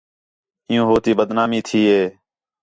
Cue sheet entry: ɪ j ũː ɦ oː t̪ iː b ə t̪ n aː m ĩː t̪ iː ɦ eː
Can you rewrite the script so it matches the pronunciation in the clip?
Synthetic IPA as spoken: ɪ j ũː ɦ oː t̪ iː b ə d̪ n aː m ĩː t̪ʰ iː ɦ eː